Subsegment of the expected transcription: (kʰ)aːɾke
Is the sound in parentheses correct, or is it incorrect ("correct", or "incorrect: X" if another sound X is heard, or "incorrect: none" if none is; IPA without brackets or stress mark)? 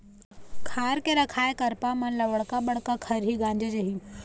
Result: correct